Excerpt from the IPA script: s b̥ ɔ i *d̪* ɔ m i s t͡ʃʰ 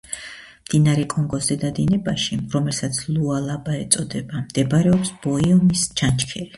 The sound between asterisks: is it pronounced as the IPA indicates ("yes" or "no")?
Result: no